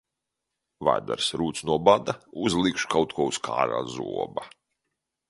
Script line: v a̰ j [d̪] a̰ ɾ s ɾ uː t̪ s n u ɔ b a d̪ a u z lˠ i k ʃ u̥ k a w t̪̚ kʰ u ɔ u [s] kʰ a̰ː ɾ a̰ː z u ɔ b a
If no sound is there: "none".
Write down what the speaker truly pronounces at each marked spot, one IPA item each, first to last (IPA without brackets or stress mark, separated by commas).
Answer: d̪, s